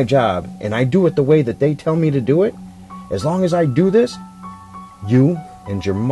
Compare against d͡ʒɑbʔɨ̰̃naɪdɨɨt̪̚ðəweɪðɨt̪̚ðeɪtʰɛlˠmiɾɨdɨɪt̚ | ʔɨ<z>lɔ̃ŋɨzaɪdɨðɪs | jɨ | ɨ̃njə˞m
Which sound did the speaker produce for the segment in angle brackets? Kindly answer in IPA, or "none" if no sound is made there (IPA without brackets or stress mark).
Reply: z